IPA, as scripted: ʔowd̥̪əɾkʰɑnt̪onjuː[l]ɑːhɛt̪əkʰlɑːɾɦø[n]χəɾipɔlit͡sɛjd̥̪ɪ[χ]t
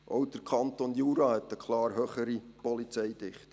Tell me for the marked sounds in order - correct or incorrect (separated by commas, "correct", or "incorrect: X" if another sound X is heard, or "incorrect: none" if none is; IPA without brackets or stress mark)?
incorrect: ɾ, incorrect: none, correct